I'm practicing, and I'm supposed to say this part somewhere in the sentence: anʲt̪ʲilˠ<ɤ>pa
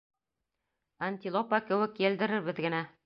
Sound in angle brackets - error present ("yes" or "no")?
yes